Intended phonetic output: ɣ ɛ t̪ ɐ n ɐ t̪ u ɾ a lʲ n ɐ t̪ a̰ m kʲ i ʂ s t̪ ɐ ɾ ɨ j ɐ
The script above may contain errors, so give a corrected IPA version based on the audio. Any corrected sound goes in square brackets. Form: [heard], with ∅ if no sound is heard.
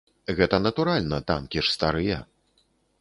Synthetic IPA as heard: ɣ ɛ t̪ ɐ n ɐ t̪ u ɾ a lʲ n ɐ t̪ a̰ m kʲ i ʂ s t̪ [a] ɾ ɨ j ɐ